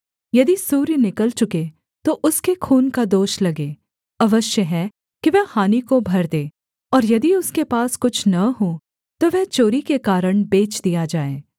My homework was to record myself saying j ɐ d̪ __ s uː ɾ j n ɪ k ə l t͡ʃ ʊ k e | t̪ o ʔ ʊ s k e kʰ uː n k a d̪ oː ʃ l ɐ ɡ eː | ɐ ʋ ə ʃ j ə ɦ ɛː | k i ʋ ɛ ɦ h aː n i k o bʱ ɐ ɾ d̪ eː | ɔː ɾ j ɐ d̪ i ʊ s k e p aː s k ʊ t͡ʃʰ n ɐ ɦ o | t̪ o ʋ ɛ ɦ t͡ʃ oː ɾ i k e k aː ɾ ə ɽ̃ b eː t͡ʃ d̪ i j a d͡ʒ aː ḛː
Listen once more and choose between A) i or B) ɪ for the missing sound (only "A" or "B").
A